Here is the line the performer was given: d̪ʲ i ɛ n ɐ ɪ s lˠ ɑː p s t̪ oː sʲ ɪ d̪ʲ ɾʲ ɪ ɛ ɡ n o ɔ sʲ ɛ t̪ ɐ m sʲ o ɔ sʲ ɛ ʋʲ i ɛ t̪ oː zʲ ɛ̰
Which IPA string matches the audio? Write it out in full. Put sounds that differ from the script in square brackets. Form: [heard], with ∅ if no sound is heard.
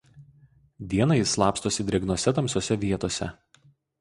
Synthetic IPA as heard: d̪ʲ i ɛ n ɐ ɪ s lˠ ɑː p s t̪ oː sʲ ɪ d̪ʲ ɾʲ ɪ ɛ ɡ n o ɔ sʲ ɛ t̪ ɐ m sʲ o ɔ sʲ ɛ ʋʲ i ɛ t̪ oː [sʲ] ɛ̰